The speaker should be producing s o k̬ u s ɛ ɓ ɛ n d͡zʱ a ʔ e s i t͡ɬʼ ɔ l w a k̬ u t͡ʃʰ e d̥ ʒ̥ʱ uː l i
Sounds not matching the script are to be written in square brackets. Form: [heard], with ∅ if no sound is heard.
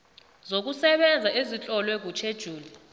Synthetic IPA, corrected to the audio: [z] o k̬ u s ɛ ɓ ɛ n d͡zʱ a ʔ e [z] i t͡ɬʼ ɔ l w [ɛ] k̬ u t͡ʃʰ e d̥ ʒ̥ʱ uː l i